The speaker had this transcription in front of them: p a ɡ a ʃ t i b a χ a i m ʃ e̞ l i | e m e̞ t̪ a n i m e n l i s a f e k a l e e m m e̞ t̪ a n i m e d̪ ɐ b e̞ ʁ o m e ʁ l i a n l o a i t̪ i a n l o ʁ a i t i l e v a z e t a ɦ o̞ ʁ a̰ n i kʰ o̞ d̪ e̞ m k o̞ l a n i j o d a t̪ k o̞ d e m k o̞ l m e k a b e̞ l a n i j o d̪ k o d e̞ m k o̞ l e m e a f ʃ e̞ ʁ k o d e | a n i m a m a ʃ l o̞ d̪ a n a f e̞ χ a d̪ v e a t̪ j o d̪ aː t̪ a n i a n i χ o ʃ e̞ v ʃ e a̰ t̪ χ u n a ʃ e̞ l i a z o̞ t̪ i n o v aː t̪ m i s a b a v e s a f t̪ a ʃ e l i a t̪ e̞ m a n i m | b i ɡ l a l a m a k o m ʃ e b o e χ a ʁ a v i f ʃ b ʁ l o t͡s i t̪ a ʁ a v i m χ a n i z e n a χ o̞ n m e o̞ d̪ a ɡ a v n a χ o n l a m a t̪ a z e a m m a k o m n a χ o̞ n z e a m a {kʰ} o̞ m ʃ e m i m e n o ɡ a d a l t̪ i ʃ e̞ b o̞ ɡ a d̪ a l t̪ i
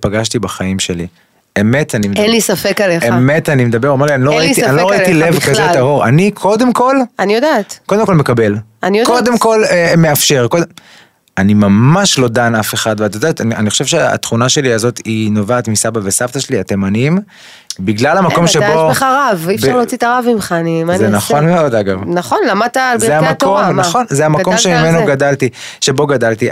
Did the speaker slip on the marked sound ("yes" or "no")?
yes